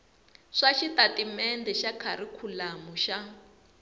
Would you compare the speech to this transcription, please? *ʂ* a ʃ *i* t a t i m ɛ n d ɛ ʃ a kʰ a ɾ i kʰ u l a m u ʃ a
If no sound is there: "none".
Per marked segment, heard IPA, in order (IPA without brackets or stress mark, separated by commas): ʂ, i